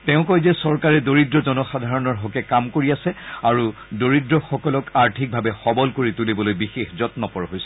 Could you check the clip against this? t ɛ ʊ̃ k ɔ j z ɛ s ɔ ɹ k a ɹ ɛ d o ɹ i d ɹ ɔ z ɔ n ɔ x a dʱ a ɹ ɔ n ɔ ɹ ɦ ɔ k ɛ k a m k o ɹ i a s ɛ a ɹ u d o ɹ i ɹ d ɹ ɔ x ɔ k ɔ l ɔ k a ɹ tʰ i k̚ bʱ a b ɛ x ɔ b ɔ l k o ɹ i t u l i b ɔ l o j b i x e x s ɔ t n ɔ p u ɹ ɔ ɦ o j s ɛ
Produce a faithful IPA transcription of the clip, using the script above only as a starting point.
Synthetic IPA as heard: t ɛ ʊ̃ k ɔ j z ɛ s ɔ ɹ k a ɹ ɛ d o ɹ i d ɹ ɔ z ɔ n ɔ x a dʱ a ɹ ɔ n ɔ ɹ ɦ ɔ k ɛ k a m k o ɹ i a s ɛ a ɹ u d o ɹ i d ɹ ɔ x ɔ k ɔ l ɔ k a ɹ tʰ i k̚ bʱ a b ɛ x ɔ b ɔ l k o ɹ i t u l i b ɔ l o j b i x e x z ɔ t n ɔ p ɔ ɹ ɔ ɦ o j s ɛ